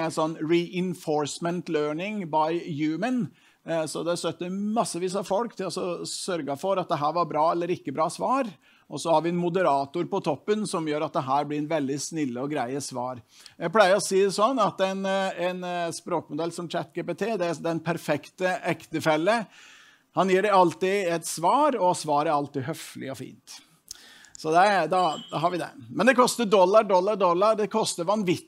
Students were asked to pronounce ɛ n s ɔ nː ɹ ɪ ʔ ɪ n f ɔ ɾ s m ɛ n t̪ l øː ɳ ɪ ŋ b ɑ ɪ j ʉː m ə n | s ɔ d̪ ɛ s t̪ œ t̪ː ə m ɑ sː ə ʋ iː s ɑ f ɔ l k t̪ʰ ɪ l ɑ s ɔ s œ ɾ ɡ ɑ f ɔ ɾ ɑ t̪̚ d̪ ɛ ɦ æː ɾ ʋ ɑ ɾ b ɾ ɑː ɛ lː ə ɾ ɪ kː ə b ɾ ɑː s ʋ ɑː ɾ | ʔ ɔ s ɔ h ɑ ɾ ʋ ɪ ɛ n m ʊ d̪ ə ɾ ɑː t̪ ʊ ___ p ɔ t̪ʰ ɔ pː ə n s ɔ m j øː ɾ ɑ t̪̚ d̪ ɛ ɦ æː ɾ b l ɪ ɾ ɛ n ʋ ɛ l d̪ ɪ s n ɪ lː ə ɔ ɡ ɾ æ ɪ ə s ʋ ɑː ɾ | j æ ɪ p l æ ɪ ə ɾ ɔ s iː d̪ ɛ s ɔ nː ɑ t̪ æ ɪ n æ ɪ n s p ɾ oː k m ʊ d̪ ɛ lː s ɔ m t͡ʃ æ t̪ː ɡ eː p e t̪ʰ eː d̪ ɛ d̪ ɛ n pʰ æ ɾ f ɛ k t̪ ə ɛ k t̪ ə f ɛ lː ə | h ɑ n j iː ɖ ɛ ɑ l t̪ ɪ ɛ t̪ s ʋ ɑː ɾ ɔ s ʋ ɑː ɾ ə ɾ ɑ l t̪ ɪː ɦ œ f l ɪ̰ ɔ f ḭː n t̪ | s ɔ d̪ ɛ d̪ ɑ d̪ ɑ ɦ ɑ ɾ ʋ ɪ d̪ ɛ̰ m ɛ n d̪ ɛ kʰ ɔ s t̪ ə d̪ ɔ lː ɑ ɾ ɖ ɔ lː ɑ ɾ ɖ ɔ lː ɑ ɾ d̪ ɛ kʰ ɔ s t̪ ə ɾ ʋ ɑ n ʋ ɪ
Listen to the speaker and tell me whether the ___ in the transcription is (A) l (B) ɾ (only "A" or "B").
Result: B